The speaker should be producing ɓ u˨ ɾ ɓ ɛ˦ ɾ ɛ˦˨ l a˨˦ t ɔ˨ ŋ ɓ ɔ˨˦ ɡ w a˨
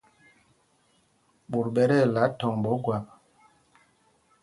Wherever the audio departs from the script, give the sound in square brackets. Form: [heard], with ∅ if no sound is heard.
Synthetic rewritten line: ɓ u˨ ɾ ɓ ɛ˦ ɾ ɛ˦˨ l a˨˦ t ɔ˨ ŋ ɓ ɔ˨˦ ɡ w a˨